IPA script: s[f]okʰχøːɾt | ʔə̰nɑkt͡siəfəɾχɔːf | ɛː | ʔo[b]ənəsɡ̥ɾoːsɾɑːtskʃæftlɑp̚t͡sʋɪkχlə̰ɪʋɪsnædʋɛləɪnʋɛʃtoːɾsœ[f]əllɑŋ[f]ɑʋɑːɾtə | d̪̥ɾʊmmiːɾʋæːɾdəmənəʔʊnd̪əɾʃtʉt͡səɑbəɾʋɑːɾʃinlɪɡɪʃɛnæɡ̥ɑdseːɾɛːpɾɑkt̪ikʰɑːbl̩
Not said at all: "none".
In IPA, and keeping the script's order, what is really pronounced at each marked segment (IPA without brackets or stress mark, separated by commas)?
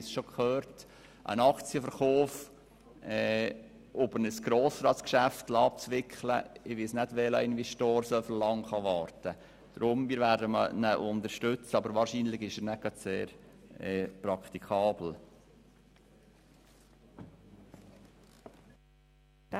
ʃ, b, f, χ